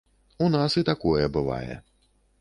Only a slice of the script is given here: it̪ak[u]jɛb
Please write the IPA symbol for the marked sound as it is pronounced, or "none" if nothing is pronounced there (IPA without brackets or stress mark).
ɔ